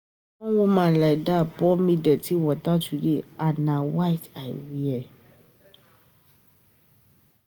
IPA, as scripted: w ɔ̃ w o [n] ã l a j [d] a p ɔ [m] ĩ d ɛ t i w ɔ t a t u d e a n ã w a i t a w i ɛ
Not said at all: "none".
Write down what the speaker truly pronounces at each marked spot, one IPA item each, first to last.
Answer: m, d, m

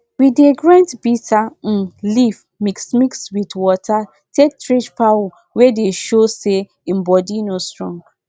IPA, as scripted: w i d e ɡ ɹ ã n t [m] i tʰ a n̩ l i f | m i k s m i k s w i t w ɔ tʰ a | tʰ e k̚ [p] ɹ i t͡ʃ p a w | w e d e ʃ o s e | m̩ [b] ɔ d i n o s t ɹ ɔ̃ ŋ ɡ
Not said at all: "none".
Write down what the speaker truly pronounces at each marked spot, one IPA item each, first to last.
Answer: b, t, b

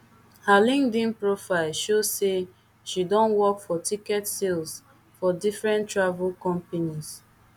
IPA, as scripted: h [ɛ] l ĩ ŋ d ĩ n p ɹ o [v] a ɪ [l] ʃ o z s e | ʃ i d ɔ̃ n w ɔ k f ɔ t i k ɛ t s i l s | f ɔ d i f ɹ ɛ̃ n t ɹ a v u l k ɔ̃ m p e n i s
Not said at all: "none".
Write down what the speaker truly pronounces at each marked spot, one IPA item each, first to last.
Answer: a, f, l

